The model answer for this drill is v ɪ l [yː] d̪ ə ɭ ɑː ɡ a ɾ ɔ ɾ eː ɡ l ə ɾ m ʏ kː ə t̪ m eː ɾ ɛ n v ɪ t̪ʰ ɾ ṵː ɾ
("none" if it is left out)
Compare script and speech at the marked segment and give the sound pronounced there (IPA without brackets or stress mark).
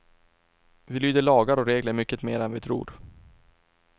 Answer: yː